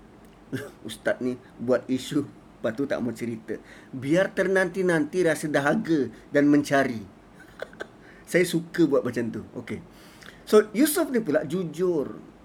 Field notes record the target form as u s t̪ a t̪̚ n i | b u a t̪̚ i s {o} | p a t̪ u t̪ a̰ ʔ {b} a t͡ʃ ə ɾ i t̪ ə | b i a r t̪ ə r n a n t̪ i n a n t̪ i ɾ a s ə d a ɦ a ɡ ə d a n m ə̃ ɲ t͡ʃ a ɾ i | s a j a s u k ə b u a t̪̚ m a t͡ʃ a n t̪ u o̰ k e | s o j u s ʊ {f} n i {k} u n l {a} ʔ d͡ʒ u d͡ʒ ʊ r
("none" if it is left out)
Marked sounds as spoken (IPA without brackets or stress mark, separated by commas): u, m, f, p, a